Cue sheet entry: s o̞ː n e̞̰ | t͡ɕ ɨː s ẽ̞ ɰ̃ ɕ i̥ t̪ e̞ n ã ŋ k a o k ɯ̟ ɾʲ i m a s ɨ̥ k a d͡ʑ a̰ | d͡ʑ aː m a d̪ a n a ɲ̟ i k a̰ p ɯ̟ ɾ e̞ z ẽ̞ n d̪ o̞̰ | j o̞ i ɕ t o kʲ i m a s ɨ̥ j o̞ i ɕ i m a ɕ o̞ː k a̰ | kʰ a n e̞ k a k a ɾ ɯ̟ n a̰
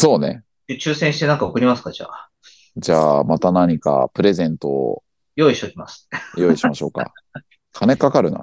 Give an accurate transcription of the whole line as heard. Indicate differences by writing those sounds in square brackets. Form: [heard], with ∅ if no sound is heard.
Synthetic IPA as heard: s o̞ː n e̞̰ | t͡ɕ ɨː s ẽ̞ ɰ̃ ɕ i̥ t̪ e̞ n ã ŋ k a o k ɯ̟ ɾʲ i m a s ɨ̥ k a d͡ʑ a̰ | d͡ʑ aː m a [t̪] a n a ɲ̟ i k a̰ p ɯ̟ ɾ e̞ z ẽ̞ n [t̪] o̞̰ | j o̞ i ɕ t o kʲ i m a s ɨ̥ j o̞ i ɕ i m a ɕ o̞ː k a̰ | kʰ a n e̞ k a k a ɾ ɯ̟ n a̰